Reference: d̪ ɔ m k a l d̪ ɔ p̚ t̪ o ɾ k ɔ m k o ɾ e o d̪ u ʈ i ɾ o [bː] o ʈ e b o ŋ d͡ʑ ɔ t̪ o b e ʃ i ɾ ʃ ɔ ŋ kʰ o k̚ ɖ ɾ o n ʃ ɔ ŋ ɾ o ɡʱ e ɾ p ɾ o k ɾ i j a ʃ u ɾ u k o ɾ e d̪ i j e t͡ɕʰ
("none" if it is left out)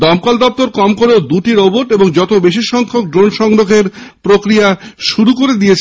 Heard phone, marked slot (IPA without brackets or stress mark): b